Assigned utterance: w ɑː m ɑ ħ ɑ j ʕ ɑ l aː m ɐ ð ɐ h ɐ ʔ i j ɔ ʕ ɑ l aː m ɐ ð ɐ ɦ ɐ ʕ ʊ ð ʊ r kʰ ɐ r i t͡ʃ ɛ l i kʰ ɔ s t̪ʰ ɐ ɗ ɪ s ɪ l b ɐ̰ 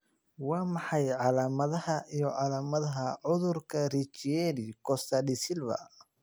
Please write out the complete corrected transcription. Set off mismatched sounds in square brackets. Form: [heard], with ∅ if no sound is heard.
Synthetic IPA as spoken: w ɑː m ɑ ħ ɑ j ʕ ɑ l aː m ɐ ð ɐ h ɐ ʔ i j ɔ ʕ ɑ l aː m ɐ ð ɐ ɦ ɐ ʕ ʊ ð ʊ r kʰ ɐ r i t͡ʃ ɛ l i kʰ ɔ s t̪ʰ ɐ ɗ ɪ s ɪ l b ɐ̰